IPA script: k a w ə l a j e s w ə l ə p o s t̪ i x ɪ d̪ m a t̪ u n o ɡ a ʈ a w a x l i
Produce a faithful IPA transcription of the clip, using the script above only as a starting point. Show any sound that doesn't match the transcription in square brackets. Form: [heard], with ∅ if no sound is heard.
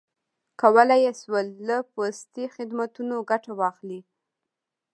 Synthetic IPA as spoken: k a w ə l a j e s w ə [lː] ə p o s t̪ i x ɪ d̪ m a t̪ u n o ɡ a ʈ a w [ɑ] x l i